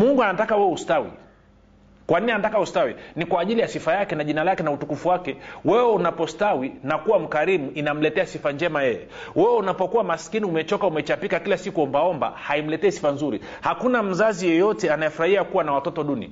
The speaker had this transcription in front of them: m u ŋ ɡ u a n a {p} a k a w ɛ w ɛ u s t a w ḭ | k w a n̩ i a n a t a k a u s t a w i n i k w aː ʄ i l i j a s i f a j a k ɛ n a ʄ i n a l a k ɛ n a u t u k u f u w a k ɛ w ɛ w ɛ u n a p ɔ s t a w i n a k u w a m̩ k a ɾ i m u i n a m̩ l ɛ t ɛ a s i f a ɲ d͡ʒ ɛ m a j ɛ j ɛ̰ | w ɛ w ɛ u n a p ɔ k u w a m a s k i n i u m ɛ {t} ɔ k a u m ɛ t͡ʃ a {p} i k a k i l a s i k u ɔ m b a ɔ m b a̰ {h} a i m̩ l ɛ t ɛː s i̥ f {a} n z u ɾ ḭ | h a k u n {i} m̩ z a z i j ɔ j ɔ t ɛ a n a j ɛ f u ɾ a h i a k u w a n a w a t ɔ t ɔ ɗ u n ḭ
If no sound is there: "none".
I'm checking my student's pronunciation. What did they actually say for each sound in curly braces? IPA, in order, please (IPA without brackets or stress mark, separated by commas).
t, t͡ʃ, p, h, a, a